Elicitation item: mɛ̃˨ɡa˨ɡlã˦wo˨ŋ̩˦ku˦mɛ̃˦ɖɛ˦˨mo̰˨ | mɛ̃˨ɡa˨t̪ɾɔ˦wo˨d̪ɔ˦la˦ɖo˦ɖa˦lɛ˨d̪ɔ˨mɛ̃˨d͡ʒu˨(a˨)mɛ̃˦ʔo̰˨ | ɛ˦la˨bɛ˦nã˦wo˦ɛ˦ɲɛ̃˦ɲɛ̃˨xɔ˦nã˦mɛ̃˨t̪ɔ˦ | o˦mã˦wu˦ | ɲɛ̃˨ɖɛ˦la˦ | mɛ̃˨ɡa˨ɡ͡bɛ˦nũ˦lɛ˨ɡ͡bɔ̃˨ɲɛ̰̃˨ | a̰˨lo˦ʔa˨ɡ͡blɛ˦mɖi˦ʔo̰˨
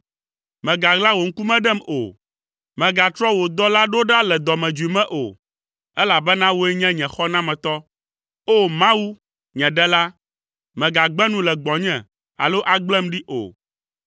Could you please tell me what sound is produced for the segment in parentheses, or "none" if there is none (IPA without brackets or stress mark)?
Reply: i˨